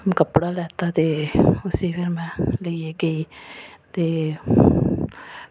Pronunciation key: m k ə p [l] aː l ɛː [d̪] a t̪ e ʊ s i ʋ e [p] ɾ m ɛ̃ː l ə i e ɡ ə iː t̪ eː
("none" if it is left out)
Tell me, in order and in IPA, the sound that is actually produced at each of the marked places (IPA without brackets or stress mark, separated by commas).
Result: ɽ, t̪, none